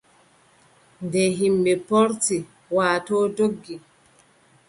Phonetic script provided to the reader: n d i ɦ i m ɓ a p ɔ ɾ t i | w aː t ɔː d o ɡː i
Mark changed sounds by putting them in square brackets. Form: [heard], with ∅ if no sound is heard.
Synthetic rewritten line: n d [ɛ] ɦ i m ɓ [ɛ] p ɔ ɾ t i | w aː t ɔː d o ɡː i